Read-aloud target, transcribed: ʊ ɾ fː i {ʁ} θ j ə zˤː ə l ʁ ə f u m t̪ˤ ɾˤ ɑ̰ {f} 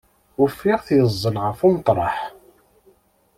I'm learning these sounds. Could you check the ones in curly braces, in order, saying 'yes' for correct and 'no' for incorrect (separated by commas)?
yes, no